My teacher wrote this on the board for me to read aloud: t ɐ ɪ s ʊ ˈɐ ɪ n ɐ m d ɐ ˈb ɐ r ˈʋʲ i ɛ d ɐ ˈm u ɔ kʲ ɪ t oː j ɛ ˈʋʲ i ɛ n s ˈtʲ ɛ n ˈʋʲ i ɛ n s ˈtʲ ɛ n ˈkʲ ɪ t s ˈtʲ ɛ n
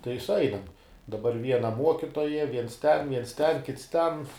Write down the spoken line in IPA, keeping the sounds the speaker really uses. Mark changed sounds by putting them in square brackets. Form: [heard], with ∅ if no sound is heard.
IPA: t ɐ ɪ s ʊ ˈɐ ɪ n ɐ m d ɐ ˈb ɐ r ˈʋʲ i ɛ [n] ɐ ˈm u ɔ kʲ ɪ t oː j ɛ ˈʋʲ i ɛ n s ˈtʲ ɛ n ˈʋʲ i ɛ n s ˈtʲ ɛ n ˈkʲ ɪ t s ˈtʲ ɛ n